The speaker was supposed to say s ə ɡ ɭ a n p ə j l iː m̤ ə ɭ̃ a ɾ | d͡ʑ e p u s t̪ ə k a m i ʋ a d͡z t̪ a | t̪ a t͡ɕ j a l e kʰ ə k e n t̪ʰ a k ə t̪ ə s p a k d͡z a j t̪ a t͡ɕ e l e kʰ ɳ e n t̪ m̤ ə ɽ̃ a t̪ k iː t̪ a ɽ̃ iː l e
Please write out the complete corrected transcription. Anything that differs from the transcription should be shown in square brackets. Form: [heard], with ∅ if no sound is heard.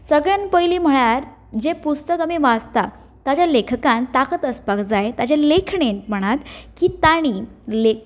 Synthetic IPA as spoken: s ə ɡ ɭ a n p ə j l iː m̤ ə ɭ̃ a ɾ | d͡ʑ e p u s t̪ ə k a m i ʋ a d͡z t̪ a | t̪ a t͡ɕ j a l e kʰ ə k [a] n [t̪] a k ə t̪ ə s p a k d͡z a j t̪ a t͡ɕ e l e kʰ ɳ e n t̪ m̤ ə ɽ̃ a t̪ k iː t̪ a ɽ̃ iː l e